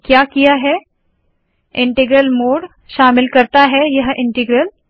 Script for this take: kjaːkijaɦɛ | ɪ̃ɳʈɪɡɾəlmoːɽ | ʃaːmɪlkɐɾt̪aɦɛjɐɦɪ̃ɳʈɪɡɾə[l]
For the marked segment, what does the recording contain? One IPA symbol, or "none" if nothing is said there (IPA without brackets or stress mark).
l